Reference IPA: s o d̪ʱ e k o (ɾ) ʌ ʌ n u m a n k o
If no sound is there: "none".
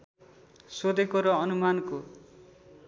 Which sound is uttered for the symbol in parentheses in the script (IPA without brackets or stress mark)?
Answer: ɾ